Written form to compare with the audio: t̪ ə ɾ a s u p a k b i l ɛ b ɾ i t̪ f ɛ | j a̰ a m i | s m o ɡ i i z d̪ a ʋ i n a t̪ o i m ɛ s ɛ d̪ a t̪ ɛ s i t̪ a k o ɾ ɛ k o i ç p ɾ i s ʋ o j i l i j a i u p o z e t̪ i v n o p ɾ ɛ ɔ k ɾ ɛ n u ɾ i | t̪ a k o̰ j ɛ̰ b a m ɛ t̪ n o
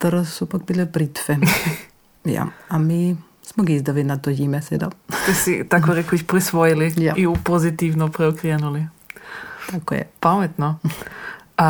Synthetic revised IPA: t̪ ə ɾ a s u p a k b i l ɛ b ɾ i t̪ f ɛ | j a̰ a m i | s m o ɡ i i z d̪ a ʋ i n a t̪ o i m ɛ s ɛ d̪ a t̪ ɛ s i t̪ a k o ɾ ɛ k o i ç p ɾ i s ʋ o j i l i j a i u p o z i t̪ i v n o p ɾ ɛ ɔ k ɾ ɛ n u l i | t̪ a k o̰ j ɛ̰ p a m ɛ t̪ n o